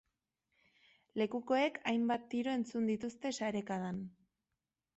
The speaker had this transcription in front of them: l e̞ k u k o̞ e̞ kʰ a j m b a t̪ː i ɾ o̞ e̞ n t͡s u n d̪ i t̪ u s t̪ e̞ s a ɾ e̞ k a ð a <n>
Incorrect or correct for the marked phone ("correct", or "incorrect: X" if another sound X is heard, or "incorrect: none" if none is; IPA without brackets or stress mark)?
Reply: correct